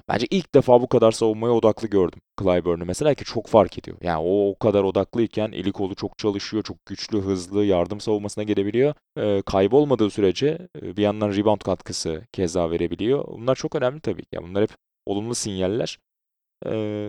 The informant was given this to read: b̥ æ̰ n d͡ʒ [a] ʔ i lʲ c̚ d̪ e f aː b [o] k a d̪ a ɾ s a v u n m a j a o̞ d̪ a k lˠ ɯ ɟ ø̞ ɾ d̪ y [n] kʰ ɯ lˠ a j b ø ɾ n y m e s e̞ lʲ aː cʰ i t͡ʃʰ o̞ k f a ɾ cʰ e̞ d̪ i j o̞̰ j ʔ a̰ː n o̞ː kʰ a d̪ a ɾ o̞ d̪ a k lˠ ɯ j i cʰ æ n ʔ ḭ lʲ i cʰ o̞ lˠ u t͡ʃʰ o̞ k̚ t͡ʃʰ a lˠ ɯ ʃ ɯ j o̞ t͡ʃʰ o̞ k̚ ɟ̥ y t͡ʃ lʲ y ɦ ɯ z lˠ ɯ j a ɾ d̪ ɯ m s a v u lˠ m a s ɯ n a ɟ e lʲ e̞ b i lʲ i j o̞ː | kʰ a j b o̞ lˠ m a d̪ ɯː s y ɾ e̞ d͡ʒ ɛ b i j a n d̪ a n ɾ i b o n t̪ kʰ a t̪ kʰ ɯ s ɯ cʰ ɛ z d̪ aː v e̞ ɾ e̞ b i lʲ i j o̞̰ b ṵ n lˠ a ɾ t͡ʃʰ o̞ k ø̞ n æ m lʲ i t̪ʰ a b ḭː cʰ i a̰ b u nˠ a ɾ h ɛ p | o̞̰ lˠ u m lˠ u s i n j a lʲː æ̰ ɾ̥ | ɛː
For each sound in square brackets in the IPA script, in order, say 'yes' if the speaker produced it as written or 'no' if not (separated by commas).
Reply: no, no, no